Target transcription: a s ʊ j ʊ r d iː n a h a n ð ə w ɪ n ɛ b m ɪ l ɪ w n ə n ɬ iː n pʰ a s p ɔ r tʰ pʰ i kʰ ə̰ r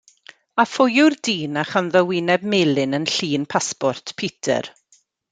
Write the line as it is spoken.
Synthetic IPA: a f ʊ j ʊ r d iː n a χ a n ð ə w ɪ n ɛ b m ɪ l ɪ n ə n ɬ iː n pʰ a s p ɔ r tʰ pʰ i tʰ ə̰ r